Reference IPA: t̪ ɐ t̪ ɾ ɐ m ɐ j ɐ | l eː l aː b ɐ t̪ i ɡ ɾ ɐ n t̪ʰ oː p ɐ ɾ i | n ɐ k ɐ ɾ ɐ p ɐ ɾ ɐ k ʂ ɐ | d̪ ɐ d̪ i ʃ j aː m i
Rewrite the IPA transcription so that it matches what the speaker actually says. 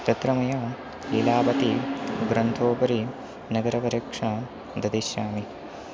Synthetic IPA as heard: t̪ ɐ t̪ ɾ ɐ m ɐ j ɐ | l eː l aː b ɐ t̪ i ɡ ɾ ɐ n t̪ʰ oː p ɐ ɾ i | n ɐ ɡ ɐ ɾ ɐ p ɐ ɾ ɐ k ʂ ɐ | d̪ ɐ d̪ i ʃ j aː m i